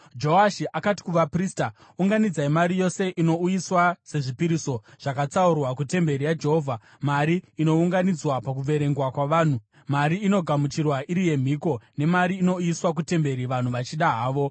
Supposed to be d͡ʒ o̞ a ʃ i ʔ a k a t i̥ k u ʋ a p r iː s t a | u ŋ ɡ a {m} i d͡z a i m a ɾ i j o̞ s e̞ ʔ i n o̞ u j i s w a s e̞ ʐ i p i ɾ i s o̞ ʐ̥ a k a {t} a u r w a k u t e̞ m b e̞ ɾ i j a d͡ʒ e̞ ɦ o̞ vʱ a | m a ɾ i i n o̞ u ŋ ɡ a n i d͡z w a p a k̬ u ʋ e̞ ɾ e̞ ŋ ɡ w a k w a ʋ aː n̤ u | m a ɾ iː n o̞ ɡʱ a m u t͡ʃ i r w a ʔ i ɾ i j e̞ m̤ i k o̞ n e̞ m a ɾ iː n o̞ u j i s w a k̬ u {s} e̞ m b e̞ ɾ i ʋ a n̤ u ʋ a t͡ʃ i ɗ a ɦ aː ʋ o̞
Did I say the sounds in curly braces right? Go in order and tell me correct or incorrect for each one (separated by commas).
incorrect, incorrect, incorrect